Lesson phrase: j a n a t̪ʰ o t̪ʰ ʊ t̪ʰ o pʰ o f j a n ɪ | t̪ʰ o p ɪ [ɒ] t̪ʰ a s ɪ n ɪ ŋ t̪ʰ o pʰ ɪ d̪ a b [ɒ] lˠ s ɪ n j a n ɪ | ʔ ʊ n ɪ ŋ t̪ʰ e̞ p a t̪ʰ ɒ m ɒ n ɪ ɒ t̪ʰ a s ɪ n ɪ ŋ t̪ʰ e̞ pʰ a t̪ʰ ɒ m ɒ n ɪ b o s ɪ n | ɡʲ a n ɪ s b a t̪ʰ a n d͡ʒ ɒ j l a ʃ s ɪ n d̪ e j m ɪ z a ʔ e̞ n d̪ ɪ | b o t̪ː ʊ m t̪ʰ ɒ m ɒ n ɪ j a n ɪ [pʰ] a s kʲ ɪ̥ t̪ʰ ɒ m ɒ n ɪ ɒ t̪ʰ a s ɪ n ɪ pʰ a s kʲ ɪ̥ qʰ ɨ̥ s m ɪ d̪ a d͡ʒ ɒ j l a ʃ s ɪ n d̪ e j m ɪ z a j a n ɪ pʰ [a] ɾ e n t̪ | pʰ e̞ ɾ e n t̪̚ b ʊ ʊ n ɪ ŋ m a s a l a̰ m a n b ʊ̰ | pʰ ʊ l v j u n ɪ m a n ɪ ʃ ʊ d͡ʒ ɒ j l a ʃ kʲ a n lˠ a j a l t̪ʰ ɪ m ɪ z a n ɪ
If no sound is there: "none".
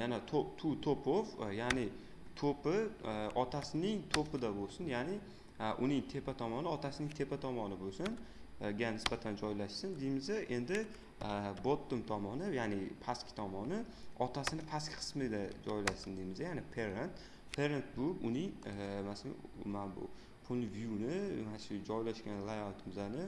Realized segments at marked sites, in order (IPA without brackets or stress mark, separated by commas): ɒ, o, pʰ, e